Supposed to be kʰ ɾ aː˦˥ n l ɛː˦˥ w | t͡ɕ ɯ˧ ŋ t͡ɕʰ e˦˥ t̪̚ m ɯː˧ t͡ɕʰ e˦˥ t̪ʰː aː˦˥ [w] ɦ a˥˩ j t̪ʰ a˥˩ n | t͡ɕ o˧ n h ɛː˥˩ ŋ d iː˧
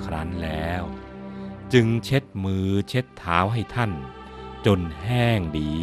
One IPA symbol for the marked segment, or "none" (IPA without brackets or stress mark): w